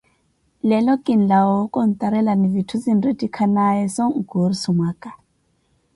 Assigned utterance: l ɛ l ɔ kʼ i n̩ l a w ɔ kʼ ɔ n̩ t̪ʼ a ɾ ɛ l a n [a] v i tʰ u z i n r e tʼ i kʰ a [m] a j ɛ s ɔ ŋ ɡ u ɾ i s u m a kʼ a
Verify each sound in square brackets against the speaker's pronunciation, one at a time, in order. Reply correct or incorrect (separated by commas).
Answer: incorrect, incorrect